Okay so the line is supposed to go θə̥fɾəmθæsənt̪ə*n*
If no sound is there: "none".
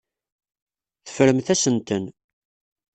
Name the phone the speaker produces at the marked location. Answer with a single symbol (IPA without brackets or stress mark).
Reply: n